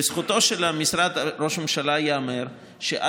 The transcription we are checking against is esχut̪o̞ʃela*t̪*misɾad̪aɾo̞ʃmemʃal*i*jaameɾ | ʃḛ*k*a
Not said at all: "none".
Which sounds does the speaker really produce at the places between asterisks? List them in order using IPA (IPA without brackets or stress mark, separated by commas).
none, a, ʔ